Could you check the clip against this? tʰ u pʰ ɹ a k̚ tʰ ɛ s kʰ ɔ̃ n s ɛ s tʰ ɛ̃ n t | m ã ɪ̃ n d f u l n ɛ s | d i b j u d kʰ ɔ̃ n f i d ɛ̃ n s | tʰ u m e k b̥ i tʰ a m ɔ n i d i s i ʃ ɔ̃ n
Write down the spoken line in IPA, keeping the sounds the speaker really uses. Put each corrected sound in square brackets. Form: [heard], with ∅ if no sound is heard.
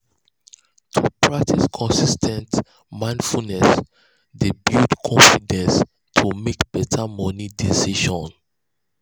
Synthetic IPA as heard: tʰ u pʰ ɹ a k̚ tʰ [i] s kʰ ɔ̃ n s [i] s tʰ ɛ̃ n t | m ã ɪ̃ n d f u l n ɛ s | d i b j u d kʰ ɔ̃ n f i d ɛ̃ n s | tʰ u m e k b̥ [ɛ] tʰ a m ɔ n i d i s i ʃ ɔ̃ n